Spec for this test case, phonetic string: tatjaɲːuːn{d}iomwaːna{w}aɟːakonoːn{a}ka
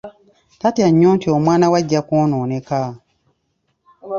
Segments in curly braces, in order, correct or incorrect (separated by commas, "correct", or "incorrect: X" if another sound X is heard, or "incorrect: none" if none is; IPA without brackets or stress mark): incorrect: t, correct, incorrect: e